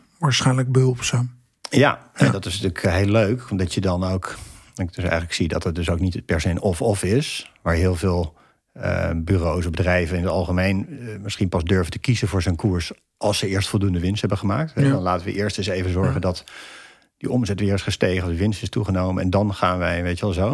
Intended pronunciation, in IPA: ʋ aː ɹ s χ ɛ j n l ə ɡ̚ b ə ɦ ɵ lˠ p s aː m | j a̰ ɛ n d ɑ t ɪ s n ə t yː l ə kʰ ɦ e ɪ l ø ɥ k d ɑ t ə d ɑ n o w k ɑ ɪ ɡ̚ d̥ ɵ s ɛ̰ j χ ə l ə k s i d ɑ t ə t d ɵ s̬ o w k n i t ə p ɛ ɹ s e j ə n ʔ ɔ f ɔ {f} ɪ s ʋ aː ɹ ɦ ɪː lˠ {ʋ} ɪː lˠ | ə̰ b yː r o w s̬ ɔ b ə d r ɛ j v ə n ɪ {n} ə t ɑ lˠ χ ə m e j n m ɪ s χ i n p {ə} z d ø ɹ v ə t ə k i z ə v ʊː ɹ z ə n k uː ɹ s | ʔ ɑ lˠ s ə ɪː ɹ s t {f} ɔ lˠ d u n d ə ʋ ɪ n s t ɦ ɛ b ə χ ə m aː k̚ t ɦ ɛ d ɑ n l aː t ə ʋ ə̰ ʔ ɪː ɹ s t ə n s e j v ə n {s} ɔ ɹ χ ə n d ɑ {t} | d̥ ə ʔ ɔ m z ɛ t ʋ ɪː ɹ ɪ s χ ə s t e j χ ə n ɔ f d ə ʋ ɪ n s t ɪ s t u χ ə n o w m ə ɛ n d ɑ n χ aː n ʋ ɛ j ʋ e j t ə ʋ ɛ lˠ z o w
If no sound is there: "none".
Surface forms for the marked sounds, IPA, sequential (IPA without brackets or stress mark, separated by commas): f, v, n, ɑ, f, z, t